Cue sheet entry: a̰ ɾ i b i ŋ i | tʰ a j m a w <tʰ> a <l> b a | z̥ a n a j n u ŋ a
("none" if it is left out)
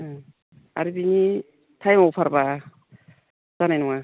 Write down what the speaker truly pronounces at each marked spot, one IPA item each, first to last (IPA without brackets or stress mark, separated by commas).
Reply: pʰ, ɾ